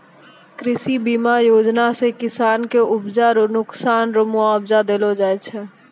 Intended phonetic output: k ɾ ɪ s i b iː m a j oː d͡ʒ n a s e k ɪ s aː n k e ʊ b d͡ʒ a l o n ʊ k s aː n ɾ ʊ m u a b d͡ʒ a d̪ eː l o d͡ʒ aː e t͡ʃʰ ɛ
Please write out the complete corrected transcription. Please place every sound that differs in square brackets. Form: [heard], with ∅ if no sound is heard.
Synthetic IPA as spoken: k ɾ ɪ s i b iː m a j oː d͡ʒ n a s e k ɪ s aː n k e ʊ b d͡ʒ a [ɾ] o n ʊ k s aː n ɾ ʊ m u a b d͡ʒ a d̪ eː l o d͡ʒ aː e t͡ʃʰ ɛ